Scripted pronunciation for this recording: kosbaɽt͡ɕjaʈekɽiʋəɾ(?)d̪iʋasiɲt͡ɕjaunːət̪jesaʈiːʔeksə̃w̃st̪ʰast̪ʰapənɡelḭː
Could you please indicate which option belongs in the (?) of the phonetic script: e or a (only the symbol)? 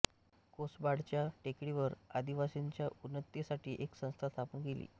a